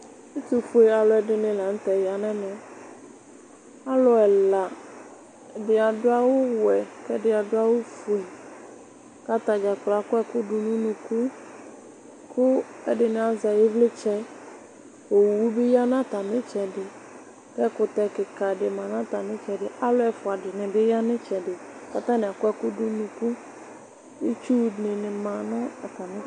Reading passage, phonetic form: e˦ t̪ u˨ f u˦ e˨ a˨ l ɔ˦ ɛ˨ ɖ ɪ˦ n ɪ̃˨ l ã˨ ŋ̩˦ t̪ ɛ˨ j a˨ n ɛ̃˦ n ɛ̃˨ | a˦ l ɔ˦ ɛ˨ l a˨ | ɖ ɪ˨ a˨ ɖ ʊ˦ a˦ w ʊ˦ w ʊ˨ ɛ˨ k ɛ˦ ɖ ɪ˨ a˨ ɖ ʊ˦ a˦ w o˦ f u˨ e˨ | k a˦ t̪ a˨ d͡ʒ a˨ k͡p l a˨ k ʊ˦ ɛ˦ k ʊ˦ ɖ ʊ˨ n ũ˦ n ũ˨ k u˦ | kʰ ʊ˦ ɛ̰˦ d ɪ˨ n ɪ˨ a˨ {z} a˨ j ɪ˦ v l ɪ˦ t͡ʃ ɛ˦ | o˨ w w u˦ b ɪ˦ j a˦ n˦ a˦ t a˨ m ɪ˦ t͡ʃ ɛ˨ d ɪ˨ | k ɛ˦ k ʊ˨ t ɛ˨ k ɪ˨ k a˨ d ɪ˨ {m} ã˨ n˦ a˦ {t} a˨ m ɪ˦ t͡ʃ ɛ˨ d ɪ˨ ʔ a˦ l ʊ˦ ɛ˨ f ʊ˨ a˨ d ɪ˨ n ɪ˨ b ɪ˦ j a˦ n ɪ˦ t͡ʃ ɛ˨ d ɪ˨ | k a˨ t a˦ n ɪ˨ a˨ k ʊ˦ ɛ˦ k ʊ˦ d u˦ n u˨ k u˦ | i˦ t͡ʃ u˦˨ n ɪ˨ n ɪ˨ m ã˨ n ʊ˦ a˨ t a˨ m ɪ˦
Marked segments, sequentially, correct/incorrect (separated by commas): correct, correct, correct